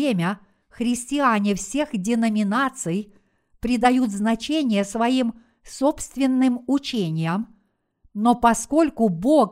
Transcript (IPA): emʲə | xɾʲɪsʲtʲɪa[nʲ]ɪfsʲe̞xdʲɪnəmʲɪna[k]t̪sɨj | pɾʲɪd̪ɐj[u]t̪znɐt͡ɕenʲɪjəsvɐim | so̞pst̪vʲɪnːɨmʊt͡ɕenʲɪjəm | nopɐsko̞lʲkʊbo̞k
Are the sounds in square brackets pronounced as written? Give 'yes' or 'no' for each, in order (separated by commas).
yes, no, yes